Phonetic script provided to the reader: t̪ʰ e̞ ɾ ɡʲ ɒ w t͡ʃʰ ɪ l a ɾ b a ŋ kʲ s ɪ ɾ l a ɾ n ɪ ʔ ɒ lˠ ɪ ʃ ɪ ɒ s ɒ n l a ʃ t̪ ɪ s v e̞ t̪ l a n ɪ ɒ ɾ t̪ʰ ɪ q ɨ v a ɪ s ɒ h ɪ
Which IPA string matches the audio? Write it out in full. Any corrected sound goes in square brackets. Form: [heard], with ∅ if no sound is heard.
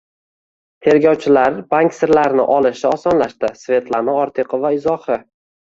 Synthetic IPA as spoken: t̪ʰ e̞ ɾ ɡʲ ɒ w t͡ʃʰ ɪ l a ɾ b a ŋ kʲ s ɪ ɾ l a ɾ n ɪ ʔ ɒ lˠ ɪ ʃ ɪ ɒ s ɒ n l a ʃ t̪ ɪ s v e̞ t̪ l a n ɪ ɒ ɾ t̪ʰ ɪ q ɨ v a ɪ [z] ɒ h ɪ